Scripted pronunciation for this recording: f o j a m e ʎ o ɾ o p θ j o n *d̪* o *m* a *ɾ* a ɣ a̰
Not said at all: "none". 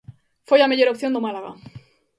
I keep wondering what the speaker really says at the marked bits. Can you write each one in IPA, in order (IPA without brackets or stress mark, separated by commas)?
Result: d̪, m, l